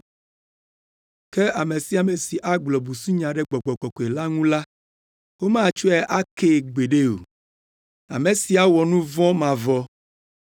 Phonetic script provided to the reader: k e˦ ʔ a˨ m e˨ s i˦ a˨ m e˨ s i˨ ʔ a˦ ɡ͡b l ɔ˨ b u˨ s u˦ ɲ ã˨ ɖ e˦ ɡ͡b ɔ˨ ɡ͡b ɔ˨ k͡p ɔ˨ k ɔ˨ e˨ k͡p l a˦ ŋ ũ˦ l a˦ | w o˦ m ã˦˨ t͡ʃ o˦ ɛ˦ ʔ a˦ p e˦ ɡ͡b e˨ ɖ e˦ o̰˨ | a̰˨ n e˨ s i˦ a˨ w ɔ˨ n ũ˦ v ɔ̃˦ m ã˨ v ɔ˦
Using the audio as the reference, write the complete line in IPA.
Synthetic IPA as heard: k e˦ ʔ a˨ m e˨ s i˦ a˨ m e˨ s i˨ ʔ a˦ ɡ͡b l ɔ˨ b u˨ s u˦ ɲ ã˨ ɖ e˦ ɡ͡b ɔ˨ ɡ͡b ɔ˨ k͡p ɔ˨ k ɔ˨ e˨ l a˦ ŋ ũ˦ l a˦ | w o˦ m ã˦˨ t͡ʃ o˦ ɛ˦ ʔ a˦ k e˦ ɡ͡b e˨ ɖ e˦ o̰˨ | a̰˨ m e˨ s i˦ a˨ w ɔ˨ n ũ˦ v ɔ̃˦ m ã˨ v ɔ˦